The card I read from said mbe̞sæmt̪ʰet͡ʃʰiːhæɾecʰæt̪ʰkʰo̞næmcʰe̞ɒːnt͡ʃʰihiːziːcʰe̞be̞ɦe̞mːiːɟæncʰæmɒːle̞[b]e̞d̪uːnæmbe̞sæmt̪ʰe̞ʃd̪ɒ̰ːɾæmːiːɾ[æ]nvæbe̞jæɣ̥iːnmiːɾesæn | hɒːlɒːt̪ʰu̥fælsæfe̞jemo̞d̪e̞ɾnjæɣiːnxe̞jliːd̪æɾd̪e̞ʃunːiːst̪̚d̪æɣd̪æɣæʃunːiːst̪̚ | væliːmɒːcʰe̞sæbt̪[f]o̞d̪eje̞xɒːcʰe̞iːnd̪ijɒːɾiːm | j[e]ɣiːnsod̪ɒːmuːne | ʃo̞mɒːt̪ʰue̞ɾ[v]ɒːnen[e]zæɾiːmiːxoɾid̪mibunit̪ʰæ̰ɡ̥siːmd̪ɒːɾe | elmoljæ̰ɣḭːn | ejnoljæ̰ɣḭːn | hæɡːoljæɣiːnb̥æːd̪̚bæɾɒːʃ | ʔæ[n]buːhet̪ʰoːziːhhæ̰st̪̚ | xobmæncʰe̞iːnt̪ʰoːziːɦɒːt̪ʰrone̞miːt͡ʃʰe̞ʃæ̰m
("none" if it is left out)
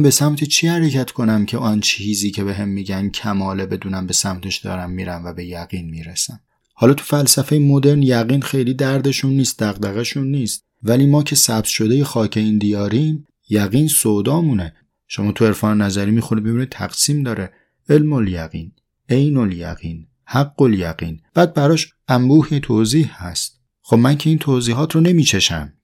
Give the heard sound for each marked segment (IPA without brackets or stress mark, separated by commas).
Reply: b, æ, ʃ, æ, f, æ, m